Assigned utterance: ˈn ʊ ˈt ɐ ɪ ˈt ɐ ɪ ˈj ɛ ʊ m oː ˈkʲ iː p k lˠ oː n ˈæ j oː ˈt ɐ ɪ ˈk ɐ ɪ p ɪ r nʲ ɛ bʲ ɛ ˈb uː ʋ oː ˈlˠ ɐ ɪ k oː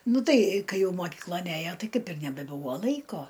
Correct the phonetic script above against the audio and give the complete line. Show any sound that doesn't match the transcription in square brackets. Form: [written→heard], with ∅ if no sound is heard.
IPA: ˈn ʊ ˈt ɐ ɪ [ˈt→ˈk] ɐ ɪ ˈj ɛ ʊ m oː ˈkʲ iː [p→∅] k lˠ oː n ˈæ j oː ˈt ɐ ɪ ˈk ɐ ɪ p ɪ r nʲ ɛ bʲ ɛ ˈb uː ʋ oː ˈlˠ ɐ ɪ k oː

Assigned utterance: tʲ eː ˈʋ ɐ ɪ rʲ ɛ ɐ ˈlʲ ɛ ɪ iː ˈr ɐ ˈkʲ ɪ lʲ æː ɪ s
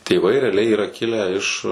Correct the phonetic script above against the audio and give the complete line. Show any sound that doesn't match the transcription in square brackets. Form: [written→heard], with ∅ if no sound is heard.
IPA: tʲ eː ˈʋ ɐ ɪ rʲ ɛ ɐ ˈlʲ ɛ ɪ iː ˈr ɐ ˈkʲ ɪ lʲ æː ɪ [s→ʃ]

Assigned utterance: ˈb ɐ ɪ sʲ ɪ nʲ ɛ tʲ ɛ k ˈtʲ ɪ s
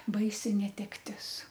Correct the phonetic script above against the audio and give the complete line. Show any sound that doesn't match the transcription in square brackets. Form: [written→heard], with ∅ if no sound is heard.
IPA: ˈb ɐ ɪ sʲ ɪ nʲ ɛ tʲ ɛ k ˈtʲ ɪ s

